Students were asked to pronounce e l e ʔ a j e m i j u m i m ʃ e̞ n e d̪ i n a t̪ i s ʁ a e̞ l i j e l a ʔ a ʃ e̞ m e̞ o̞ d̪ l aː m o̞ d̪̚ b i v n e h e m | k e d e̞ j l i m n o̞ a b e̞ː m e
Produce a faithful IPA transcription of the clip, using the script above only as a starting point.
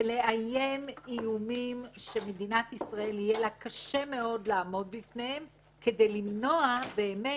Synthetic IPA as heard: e l e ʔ a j e m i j u m i m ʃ e̞ m e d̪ i n a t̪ i s ʁ a e̞ l i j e l a k a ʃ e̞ m e̞ o̞ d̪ l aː m o̞ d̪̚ b i f n e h e m | k e d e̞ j l i m n o̞ a b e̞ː m e